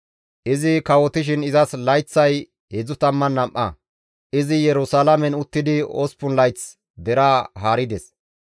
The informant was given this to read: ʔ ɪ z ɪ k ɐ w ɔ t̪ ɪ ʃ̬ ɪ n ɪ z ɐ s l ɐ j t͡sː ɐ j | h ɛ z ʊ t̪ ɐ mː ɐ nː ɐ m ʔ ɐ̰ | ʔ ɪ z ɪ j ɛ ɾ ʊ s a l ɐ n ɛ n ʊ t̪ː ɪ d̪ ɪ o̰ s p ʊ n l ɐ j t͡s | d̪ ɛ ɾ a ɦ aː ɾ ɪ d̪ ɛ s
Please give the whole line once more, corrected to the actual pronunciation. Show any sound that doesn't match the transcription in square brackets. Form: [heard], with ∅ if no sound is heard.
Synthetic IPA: ʔ ɪ z ɪ k ɐ w ɔ t̪ ɪ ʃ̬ ɪ n ɪ z ɐ s l ɐ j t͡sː ɐ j | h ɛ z ʊ t̪ ɐ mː ɐ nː ɐ m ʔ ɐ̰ | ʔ ɪ z ɪ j ɛ ɾ ʊ s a l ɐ [m] ɛ n ʊ t̪ː ɪ d̪ ɪ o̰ s p ʊ n l ɐ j t͡s | d̪ ɛ ɾ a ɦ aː ɾ ɪ d̪ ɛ s